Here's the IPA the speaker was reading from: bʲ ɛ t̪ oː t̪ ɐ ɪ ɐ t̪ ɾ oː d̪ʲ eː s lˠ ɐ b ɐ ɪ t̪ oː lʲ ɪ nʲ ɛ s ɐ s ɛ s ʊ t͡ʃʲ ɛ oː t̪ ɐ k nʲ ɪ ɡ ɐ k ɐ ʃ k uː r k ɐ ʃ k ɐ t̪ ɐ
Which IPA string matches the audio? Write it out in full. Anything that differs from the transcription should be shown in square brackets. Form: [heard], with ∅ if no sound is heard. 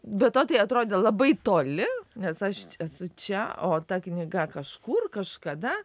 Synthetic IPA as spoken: bʲ ɛ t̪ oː t̪ ɐ ɪ ɐ t̪ ɾ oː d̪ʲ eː [∅] lˠ ɐ b ɐ ɪ t̪ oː lʲ ɪ nʲ ɛ s ɐ [ʃ] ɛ s ʊ t͡ʃʲ ɛ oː t̪ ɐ k nʲ ɪ ɡ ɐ k ɐ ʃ k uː r k ɐ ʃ k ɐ [d̪] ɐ